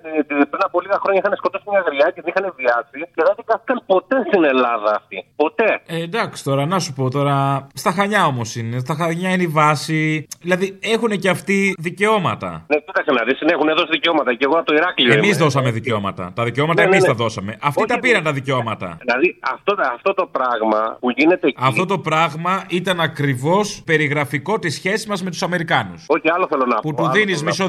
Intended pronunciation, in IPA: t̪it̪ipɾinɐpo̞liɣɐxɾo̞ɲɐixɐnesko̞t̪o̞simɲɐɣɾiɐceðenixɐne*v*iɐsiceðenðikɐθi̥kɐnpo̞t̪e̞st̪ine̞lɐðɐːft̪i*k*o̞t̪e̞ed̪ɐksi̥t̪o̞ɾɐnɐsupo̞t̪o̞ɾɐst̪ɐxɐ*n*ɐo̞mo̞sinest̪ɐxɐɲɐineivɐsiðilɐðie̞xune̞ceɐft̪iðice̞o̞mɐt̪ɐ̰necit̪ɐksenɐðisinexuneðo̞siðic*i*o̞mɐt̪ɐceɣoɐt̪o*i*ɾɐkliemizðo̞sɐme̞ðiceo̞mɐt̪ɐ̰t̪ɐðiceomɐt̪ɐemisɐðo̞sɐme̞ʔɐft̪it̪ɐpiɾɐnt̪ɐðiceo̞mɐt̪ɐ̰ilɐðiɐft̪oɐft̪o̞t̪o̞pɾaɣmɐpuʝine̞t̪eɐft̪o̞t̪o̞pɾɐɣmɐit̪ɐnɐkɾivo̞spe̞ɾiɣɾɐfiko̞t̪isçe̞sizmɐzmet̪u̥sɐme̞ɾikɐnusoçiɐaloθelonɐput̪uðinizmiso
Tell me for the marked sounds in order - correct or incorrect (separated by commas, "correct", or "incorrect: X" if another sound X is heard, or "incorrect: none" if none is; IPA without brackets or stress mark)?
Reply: correct, incorrect: p, incorrect: ɲ, incorrect: e, correct